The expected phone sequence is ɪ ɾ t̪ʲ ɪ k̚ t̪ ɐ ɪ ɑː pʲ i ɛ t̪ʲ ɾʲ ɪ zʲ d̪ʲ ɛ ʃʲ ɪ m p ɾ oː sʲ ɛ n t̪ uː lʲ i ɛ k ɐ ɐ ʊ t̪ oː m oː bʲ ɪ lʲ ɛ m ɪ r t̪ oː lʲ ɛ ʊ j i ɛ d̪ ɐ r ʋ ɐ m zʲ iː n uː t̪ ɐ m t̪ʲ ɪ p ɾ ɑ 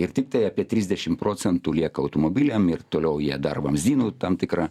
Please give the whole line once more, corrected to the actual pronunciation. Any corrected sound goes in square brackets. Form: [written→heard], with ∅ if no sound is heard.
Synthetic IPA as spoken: ɪ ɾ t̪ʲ ɪ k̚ t̪ ɐ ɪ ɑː pʲ i ɛ t̪ʲ ɾʲ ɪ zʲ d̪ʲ ɛ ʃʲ ɪ m p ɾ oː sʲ ɛ n t̪ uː lʲ i ɛ k ɐ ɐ ʊ t̪ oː m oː bʲ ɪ lʲ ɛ m ɪ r t̪ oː lʲ ɛ ʊ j i ɛ d̪ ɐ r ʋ ɐ m zʲ iː n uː t̪ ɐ m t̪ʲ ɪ [p→k] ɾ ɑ